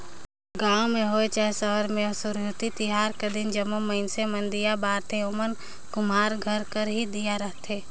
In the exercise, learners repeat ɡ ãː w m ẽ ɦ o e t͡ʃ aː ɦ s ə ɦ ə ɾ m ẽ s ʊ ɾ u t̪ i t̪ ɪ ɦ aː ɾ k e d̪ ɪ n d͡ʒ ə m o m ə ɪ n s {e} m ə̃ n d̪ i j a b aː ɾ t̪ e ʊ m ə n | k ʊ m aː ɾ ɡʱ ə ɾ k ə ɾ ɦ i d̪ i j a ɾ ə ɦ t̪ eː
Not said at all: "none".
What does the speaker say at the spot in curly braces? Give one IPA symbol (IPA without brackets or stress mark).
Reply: e